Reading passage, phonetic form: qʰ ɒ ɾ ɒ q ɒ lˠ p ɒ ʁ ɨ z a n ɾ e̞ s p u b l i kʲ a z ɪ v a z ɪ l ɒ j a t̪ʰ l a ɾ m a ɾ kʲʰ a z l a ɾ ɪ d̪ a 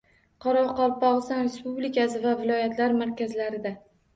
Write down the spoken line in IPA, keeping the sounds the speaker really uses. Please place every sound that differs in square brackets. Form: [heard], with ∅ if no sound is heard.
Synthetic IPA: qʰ ɒ ɾ ɒ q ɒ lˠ p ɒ ʁ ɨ [s] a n ɾ e̞ s p u b l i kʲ a [s] ɪ v a [v] ɪ l ɒ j a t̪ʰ l a ɾ m a ɾ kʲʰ a z l a ɾ ɪ d̪ a